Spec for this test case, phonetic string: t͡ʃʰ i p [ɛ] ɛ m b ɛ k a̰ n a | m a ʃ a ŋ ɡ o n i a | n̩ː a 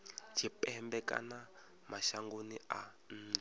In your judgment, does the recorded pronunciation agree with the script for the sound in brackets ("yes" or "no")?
yes